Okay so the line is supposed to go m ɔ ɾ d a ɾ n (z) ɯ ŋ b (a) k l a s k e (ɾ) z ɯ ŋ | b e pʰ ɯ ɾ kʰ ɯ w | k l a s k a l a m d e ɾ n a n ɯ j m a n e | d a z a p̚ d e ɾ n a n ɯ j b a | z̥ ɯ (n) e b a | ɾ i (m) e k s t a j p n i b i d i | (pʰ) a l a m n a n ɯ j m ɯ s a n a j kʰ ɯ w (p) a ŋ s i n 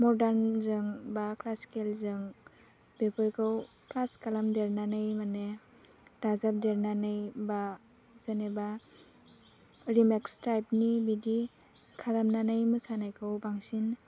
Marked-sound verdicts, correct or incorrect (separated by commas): correct, correct, incorrect, correct, correct, incorrect, incorrect